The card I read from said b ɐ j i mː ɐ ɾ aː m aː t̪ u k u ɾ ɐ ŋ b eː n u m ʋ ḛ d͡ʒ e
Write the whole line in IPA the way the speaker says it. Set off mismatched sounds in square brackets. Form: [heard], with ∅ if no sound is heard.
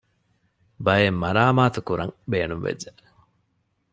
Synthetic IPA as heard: b ɐ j [e] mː ɐ ɾ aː m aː t̪ u k u ɾ ɐ ŋ b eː n u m ʋ ḛ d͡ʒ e